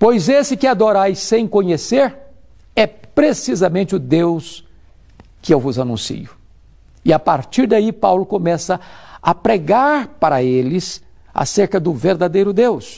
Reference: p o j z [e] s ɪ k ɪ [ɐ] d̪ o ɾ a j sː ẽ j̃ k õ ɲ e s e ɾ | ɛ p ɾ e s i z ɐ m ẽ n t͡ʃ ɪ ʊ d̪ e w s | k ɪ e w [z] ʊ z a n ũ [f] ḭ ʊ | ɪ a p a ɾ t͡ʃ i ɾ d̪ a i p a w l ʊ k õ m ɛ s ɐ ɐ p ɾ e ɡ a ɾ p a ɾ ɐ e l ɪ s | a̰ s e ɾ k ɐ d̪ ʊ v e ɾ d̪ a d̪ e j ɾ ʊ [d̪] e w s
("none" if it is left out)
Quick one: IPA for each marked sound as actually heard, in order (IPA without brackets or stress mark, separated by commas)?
e, a, v, s, d̪